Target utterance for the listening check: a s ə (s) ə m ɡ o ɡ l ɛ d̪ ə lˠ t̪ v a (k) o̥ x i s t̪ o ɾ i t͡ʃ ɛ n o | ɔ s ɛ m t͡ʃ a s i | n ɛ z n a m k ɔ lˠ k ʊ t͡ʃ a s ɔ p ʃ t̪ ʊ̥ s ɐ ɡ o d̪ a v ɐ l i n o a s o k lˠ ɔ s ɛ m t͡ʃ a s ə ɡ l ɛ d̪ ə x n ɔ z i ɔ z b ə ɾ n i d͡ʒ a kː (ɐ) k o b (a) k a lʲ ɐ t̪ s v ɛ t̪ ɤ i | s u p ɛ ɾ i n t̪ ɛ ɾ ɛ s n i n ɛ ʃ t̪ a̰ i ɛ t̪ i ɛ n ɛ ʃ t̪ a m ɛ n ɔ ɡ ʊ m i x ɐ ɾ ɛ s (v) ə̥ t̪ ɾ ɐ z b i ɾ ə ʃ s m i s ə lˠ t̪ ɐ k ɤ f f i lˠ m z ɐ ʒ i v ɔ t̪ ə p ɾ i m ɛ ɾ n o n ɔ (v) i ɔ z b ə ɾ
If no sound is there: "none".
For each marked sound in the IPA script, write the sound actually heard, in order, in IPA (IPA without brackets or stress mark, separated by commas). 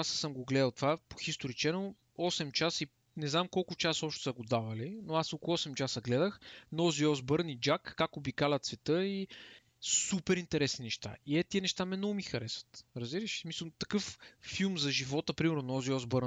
s, p, a, i, v, z